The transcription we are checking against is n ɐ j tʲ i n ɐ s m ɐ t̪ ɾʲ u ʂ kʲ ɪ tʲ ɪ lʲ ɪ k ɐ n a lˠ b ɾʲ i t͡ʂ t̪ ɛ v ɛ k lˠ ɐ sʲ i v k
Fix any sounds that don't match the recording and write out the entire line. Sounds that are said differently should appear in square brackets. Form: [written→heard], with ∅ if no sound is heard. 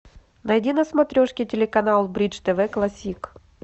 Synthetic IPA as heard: n ɐ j [tʲ→dʲ] i n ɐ s m ɐ t̪ ɾʲ [u→o] ʂ kʲ ɪ tʲ ɪ lʲ ɪ k ɐ n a lˠ b ɾʲ i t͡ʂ t̪ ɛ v ɛ k lˠ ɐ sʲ i [v→∅] k

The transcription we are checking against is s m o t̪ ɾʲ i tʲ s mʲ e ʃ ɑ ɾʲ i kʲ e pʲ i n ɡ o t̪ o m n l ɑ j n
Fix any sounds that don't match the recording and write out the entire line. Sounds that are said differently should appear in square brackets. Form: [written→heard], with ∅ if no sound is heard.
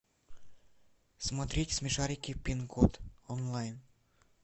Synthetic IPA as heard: s m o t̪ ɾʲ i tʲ s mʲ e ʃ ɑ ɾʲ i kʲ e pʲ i n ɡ o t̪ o [m→∅] n l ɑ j n

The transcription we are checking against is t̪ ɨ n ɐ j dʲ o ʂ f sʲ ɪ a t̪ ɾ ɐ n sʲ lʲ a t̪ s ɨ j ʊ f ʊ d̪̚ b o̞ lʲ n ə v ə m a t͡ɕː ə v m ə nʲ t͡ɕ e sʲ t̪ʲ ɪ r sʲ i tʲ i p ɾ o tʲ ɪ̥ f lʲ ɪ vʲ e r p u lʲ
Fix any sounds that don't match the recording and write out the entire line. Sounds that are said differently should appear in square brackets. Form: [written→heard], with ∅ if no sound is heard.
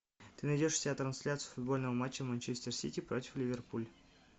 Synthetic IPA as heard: t̪ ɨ n ɐ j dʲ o ʂ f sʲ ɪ a t̪ ɾ ɐ n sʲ lʲ a t̪ s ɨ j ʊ f ʊ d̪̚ b o̞ lʲ n ə v ə m a t͡ɕː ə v m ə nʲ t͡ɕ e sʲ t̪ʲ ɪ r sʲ i tʲ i p ɾ o tʲ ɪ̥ f lʲ ɪ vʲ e r p u lʲ

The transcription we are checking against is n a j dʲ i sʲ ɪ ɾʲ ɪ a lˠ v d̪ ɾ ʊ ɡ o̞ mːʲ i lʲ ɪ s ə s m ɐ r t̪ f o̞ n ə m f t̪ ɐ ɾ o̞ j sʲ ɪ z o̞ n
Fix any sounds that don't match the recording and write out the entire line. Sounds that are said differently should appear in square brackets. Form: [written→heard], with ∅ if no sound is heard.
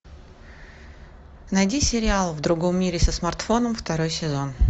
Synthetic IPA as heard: n [a→ɐ] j dʲ i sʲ ɪ ɾʲ ɪ a lˠ v d̪ ɾ ʊ ɡ o̞ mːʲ i [lʲ→ɾʲ] ɪ s ə s m ɐ r t̪ f o̞ n ə m f t̪ ɐ ɾ o̞ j sʲ ɪ z o̞ n

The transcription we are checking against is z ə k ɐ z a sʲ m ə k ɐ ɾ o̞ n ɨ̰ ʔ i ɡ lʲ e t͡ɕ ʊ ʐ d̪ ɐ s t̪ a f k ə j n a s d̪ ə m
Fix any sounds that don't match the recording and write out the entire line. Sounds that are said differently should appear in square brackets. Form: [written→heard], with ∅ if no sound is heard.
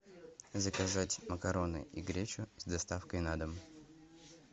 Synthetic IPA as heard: z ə k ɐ z a [sʲ→tʲ] m ə k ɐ ɾ o̞ n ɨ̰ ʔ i ɡ [lʲ→ɾʲ] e t͡ɕ ʊ [ʐ→z] d̪ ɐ s t̪ a f k ə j n a [s→∅] d̪ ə m

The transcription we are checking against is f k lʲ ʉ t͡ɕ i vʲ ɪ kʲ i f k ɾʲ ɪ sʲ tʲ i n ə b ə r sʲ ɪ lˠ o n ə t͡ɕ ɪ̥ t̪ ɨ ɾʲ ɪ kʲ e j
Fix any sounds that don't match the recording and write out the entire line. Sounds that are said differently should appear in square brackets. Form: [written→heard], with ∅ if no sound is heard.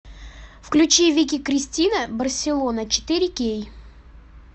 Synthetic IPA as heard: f k lʲ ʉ t͡ɕ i vʲ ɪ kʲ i [f→∅] k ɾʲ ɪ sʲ tʲ i n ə b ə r sʲ ɪ lˠ o n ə t͡ɕ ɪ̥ t̪ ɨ ɾʲ ɪ kʲ e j

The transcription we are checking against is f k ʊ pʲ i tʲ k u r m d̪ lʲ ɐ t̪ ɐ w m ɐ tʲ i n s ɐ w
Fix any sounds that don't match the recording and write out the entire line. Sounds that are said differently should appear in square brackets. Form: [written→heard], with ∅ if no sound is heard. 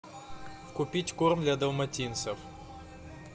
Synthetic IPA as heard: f k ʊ pʲ i tʲ k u r m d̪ lʲ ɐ [t̪→d̪] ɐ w m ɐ tʲ i n s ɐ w

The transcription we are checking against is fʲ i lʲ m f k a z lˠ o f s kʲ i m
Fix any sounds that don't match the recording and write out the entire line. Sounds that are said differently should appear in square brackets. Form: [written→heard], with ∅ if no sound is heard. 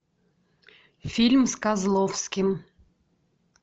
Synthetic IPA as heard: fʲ i lʲ m [f→s] k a z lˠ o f s kʲ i m

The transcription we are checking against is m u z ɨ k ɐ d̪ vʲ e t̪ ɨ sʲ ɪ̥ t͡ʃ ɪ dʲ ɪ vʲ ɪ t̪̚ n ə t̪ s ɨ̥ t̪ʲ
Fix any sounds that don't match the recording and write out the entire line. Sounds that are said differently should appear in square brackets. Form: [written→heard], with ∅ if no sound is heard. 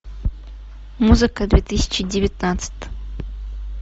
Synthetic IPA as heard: m u z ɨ k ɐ d̪ vʲ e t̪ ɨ sʲ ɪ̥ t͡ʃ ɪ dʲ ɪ vʲ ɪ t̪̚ n [ə→a] t̪ s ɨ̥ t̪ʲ

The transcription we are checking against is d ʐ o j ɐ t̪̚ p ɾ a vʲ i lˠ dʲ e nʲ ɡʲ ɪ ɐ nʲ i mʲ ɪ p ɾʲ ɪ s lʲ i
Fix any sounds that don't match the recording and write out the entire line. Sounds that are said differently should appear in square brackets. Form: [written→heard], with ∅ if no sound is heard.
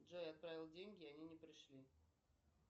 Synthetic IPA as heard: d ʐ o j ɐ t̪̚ p ɾ a vʲ [i→ɪ] lˠ dʲ e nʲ ɡʲ ɪ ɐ nʲ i [mʲ→nʲ] ɪ p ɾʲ ɪ [s→ʂ] lʲ i

